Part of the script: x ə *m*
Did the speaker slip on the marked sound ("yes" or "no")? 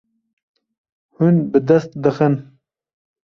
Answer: yes